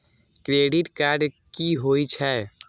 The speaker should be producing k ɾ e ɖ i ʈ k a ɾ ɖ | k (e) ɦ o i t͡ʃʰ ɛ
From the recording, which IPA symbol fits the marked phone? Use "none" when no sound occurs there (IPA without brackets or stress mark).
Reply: i